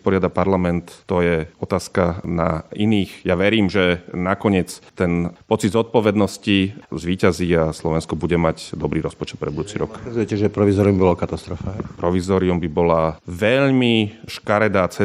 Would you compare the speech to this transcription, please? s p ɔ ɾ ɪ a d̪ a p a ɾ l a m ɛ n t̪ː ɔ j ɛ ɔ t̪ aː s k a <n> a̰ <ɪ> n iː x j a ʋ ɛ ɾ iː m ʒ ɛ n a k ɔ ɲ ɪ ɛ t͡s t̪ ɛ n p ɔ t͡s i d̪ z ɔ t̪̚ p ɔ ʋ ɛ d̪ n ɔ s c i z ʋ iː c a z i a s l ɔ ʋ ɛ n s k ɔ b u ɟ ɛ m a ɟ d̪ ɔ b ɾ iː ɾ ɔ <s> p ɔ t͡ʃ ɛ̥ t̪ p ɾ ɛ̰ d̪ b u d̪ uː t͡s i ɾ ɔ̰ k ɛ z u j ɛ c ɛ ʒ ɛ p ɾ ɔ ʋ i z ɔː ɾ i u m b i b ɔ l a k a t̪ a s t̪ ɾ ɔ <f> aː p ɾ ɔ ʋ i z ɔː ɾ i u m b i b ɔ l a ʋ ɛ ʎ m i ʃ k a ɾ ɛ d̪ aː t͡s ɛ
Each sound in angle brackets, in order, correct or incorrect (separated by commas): correct, incorrect, correct, correct